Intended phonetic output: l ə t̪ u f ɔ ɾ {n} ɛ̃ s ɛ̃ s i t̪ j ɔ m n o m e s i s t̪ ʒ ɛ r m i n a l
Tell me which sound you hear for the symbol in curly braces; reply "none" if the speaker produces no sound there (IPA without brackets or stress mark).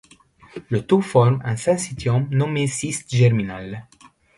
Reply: m